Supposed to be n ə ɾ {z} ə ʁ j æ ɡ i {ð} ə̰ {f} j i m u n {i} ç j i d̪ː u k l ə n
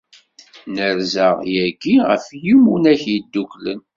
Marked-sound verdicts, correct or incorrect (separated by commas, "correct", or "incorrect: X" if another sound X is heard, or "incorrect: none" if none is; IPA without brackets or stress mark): correct, incorrect: ʁ, correct, incorrect: æ